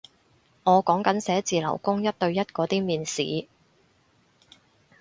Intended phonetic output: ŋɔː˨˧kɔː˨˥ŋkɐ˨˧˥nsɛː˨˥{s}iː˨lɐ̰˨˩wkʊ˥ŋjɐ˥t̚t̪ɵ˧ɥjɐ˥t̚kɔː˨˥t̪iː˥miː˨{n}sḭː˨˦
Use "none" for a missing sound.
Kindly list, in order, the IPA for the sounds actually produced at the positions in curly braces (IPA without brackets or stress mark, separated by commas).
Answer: t͡s, n